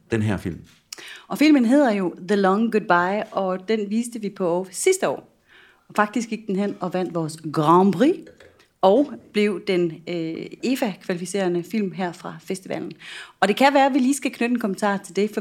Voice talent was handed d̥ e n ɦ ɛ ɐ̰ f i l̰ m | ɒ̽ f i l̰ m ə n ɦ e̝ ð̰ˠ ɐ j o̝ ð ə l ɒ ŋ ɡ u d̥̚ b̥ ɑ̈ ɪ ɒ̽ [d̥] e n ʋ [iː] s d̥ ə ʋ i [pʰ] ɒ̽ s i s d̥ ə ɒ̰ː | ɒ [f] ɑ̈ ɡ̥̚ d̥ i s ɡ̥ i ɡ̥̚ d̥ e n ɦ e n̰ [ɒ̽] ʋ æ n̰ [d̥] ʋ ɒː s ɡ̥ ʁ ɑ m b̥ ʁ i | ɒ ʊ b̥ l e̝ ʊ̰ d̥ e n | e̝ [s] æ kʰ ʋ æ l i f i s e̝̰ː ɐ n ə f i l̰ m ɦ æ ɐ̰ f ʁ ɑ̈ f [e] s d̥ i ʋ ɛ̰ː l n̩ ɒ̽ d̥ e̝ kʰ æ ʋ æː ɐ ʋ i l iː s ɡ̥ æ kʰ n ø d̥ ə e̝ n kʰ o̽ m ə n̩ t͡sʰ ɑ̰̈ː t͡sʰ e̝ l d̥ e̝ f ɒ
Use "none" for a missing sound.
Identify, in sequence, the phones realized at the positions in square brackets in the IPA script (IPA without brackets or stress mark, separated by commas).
d̥, iː, pʰ, f, ɒ̽, d̥, f, e